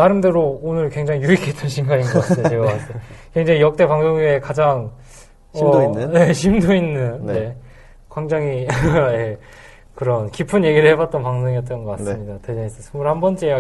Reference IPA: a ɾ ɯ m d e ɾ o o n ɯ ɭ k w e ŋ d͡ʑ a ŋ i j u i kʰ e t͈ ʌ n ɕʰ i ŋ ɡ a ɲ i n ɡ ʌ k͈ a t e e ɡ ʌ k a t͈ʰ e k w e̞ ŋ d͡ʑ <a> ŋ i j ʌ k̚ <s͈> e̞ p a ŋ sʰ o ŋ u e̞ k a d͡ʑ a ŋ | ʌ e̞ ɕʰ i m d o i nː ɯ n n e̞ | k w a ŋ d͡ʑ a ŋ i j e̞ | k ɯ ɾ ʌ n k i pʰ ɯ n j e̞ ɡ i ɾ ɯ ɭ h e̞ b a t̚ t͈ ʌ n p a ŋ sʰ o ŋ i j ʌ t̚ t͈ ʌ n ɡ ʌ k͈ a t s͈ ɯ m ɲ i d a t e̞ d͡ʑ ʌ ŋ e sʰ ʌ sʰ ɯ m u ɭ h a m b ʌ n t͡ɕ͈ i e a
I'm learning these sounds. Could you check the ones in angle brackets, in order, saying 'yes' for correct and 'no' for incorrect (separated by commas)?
yes, no